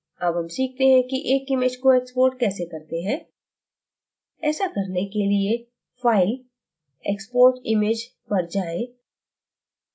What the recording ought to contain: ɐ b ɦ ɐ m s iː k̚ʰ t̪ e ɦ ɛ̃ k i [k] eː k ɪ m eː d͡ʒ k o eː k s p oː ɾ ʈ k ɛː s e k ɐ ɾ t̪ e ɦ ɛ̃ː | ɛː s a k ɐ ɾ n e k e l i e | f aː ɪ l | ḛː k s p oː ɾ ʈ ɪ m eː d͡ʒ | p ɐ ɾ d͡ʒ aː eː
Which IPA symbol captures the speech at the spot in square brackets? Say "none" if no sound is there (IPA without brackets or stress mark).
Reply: ʔ